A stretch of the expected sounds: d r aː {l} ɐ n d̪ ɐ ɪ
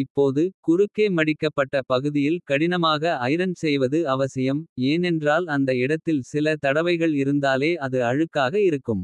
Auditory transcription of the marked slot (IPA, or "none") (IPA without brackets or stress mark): l